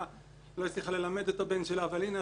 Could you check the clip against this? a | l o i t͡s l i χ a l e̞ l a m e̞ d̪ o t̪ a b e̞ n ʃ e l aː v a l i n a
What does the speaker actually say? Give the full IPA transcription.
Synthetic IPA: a | l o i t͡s l i χ a l e̞ l a m e̞ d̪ o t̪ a b e̞ n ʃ e l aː v a l i n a

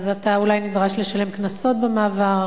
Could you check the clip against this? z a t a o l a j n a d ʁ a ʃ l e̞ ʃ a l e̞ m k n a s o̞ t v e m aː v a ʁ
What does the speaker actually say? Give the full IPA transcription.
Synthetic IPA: z a t a u l a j n i d ʁ a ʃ l e̞ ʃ a l e̞ m k n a s o̞ t b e m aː v a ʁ

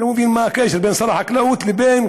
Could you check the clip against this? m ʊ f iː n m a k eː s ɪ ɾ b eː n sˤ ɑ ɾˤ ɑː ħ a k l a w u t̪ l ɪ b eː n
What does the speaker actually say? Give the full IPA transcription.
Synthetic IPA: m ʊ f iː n m a k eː ʃ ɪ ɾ b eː n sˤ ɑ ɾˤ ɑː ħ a k l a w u t̪ l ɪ b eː n

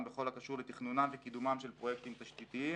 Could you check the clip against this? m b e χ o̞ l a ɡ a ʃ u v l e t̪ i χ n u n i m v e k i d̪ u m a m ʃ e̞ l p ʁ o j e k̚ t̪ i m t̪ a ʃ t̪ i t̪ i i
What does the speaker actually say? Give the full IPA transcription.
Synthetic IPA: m b e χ o̞ l a k a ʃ u ʁ l e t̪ i χ n u n a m v e k i d̪ u m a m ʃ e̞ l p ʁ o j e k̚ t̪ i m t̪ a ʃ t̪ i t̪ i i

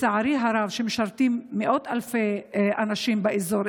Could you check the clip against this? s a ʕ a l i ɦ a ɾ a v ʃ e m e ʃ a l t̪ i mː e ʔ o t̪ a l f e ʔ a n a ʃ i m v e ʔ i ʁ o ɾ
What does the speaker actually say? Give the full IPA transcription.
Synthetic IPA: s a ʕ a ɾ i ɦ a ɾ a v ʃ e m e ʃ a ɾ t̪ i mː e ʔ o t̪ a l f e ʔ a n a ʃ i m b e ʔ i z o ɾ

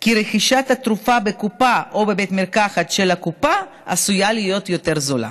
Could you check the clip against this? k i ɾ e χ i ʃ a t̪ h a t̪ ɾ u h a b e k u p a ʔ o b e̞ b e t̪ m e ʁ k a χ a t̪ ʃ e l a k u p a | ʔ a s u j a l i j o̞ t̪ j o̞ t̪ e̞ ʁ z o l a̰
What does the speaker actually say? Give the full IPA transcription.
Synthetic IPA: k i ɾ e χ i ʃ a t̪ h a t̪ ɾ u f a b e k u p a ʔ o b e̞ b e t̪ m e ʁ k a χ a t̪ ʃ e l a k u p a | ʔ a s u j a l i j o̞ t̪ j o̞ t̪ e̞ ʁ z o l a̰

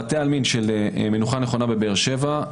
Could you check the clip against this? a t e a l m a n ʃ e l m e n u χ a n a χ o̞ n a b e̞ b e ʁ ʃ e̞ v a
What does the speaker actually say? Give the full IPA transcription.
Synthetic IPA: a t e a l m i n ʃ e l m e n u χ a n e χ o̞ n a b e̞ b e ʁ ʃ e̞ v a

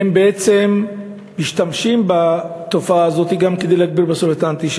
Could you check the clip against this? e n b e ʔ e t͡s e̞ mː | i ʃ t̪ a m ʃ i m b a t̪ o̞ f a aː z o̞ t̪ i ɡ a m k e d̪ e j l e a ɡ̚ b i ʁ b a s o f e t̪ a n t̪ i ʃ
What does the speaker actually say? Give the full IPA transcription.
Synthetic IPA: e m b e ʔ e t͡s e̞ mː | i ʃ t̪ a m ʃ i m b a t̪ o̞ f a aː z o̞ t̪ i ɡ a m k e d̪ e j l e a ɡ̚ b i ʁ b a s o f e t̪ a n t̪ i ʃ

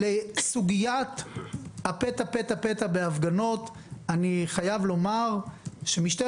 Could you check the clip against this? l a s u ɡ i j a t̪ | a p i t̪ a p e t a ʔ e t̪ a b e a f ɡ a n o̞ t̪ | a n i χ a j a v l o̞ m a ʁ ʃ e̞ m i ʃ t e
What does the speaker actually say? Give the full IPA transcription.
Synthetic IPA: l e s u ɡ i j a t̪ | a p e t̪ a p e t a p e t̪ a b e a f ɡ a n o̞ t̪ | a n i χ a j a v l o̞ m a ʁ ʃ e̞ m i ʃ t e

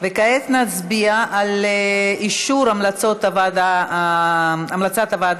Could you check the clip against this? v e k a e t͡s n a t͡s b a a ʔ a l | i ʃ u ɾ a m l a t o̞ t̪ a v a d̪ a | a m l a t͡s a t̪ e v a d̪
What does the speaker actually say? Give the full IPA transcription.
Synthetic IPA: v e k a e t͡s n a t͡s b i a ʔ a l | i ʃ u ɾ a m l a t͡s o̞ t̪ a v a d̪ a | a m l a t͡s a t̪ a v a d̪

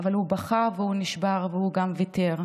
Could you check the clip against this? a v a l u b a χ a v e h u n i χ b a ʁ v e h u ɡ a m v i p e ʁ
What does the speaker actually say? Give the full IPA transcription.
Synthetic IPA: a v a l u b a χ a v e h u n i ʃ b a ʁ v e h u ɡ a m v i t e ʁ

